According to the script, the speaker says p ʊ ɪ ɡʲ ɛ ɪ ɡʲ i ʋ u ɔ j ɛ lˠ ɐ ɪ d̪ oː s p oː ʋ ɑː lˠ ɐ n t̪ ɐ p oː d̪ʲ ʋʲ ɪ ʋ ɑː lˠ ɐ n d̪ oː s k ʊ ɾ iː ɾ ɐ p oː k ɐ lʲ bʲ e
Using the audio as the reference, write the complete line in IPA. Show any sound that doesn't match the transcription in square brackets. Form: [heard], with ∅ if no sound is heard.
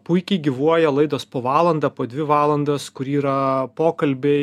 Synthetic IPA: p ʊ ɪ [kʲ] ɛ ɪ ɡʲ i ʋ u ɔ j ɛ lˠ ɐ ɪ d̪ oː s p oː ʋ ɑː lˠ ɐ n [d̪] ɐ p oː d̪ʲ ʋʲ ɪ ʋ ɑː lˠ ɐ n d̪ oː s k ʊ ɾ iː ɾ ɐ p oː k ɐ lʲ bʲ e